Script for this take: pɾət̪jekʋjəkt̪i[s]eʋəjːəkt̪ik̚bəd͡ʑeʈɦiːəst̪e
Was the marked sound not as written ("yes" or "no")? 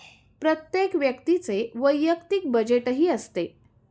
yes